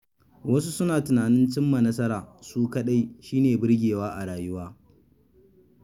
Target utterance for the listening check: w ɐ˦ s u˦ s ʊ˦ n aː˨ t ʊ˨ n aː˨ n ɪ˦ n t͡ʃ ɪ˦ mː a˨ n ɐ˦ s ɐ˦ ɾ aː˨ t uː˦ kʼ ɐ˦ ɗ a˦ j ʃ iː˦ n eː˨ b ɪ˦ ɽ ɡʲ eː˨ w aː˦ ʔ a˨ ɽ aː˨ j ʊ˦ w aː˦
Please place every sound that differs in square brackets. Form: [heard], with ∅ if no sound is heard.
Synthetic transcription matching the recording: w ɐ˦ s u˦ s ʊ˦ n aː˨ t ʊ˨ n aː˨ n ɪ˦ n t͡ʃ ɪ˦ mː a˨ n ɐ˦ s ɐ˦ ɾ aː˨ [s] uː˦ [k] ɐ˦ ɗ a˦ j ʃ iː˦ n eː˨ b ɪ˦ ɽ ɡʲ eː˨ w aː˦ ʔ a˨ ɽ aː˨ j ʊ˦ w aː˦